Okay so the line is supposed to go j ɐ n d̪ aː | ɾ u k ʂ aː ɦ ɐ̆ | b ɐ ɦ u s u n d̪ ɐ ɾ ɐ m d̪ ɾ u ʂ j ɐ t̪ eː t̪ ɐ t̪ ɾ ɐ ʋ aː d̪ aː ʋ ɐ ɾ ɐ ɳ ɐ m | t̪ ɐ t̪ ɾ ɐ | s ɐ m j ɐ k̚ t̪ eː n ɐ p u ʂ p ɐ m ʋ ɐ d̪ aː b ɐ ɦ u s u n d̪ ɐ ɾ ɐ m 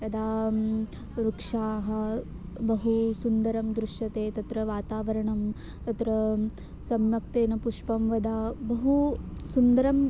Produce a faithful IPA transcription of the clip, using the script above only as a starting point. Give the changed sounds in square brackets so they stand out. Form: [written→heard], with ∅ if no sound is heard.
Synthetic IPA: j ɐ [n→∅] d̪ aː | ɾ u k ʂ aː ɦ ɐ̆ | b ɐ ɦ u s u n d̪ ɐ ɾ ɐ m d̪ ɾ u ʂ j ɐ t̪ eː t̪ ɐ t̪ ɾ ɐ ʋ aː [d̪→t̪] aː ʋ ɐ ɾ ɐ ɳ ɐ m | t̪ ɐ t̪ ɾ ɐ | s ɐ m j ɐ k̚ t̪ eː n ɐ p u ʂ p ɐ m ʋ ɐ d̪ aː b ɐ ɦ u s u n d̪ ɐ ɾ ɐ m